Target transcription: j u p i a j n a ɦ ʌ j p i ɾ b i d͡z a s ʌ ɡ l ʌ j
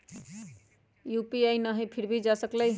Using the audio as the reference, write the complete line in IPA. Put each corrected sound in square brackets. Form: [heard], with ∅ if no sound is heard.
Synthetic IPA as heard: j u p i a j n [ʌ] ɦ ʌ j [pʰ] i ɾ b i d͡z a s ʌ [k] l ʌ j